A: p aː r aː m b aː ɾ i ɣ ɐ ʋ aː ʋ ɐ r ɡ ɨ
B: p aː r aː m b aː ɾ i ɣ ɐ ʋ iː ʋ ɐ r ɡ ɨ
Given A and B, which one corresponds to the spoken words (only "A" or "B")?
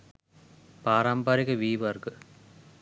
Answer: B